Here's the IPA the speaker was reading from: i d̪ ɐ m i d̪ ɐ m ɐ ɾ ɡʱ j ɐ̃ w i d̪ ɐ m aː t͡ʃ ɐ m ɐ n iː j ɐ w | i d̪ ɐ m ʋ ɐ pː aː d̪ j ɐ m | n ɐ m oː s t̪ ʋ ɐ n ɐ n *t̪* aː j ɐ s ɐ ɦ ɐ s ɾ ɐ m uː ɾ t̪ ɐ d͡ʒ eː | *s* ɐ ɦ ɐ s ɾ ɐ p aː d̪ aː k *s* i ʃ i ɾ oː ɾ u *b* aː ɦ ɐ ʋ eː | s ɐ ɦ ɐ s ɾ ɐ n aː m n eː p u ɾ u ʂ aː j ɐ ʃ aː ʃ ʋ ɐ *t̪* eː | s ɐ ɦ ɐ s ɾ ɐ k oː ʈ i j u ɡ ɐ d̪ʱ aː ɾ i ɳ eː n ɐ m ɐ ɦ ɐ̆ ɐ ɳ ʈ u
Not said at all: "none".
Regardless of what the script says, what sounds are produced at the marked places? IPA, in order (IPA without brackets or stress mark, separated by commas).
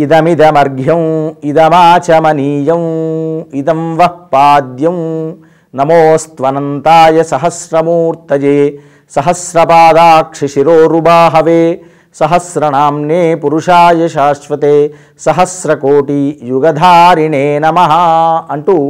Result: t̪, s, ʂ, b, t̪